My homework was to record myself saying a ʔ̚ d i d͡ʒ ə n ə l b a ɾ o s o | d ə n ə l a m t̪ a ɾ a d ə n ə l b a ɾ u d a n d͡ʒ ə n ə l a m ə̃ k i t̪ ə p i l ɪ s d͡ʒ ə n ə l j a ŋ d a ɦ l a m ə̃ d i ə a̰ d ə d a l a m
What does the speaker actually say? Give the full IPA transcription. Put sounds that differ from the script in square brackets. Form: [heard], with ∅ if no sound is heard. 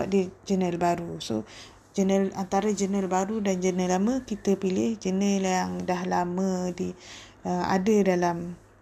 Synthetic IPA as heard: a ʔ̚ d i d͡ʒ ə n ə l b a ɾ [u] s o | [d͡ʒ] ə n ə l a [n] t̪ a ɾ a [d͡ʒ] ə n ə l b a ɾ u d a n d͡ʒ ə n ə l a m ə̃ k i t̪ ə p i l ɪ [h] d͡ʒ ə n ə l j a ŋ d a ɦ l a m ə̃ d i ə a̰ d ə d a l a m